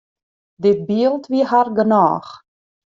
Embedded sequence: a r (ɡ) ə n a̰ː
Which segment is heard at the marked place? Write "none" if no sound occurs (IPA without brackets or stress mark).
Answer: ɡ